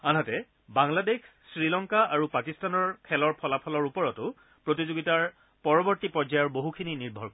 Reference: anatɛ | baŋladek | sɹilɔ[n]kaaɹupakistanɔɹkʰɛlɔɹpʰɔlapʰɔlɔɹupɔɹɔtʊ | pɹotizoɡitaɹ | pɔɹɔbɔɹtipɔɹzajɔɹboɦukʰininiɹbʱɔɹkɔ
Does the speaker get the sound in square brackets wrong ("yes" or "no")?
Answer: yes